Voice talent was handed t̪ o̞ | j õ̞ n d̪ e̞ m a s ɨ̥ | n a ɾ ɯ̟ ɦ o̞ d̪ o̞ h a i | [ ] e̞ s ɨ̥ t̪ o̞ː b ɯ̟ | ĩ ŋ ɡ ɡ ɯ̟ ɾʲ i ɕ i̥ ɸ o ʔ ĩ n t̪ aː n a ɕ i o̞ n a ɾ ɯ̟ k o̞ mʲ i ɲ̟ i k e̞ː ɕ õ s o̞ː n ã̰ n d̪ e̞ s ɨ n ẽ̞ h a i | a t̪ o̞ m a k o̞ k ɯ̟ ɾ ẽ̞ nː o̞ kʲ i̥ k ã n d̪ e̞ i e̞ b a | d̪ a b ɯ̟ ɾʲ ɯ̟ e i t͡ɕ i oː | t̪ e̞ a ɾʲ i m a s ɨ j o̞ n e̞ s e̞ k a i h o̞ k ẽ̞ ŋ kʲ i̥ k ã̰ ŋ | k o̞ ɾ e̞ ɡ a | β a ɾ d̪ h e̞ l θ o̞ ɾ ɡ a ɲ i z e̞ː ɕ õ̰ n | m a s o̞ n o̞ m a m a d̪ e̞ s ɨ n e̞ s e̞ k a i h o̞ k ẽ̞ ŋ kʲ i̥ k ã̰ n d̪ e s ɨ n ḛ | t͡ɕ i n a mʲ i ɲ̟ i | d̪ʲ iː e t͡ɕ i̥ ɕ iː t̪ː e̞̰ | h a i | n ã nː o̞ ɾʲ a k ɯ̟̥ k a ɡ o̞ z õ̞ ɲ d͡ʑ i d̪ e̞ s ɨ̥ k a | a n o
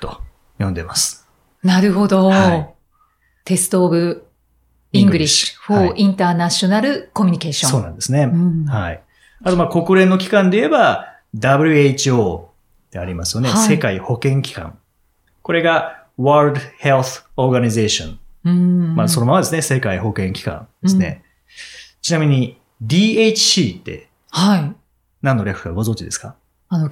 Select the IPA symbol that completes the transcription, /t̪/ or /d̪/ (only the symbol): t̪